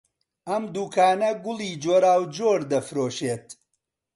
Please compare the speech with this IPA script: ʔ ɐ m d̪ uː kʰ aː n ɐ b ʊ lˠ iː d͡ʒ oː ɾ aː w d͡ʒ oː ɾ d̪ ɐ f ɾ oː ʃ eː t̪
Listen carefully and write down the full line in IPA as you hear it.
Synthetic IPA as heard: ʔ ɐ m d̪ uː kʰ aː n ɐ ɡ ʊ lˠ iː d͡ʒ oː ɾ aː w d͡ʒ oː ɾ d̪ ɐ f ɾ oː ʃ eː t̪